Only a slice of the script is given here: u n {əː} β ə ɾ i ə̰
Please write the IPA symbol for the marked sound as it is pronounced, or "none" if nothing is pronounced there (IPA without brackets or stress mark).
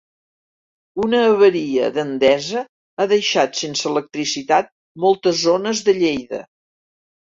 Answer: əː